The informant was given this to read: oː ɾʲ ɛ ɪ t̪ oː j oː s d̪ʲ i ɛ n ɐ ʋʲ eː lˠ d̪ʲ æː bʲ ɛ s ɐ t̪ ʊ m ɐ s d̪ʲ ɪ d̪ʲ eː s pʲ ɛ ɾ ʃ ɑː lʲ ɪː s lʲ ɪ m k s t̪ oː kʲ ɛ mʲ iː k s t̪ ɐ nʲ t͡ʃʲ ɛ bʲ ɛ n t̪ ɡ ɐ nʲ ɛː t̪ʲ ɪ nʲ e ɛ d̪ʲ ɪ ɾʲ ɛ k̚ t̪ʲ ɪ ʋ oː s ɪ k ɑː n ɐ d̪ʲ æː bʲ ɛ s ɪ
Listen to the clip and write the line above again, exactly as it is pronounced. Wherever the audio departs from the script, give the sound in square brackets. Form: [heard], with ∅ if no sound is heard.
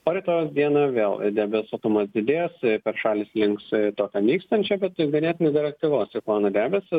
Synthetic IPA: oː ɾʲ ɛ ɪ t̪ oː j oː s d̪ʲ i ɛ n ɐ ʋʲ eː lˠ d̪ʲ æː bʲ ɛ s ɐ t̪ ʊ m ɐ s d̪ʲ ɪ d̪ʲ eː s pʲ ɛ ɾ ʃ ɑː lʲ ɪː s lʲ ɪ [ŋ] k s t̪ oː kʲ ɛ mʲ iː k s t̪ ɐ nʲ t͡ʃʲ ɛ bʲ ɛ [∅] t̪ ɡ ɐ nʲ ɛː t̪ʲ ɪ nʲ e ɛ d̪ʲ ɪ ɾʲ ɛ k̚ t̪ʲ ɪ ʋ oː s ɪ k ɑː n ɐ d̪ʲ æː bʲ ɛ s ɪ